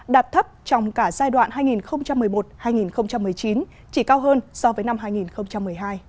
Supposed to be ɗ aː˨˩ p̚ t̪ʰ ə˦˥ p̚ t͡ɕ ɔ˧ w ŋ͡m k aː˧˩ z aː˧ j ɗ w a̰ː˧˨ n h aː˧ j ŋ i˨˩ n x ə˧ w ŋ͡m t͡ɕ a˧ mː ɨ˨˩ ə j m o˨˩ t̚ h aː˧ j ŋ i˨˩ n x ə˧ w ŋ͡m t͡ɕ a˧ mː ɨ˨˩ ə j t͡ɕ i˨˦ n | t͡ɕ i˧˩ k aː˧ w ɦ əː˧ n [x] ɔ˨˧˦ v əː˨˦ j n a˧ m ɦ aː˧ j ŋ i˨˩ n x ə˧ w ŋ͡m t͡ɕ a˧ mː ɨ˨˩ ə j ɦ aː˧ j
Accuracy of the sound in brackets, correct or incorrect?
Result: incorrect